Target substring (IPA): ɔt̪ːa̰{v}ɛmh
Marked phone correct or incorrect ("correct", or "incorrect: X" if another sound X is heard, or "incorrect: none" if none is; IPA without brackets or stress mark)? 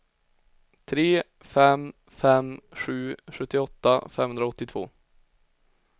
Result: incorrect: f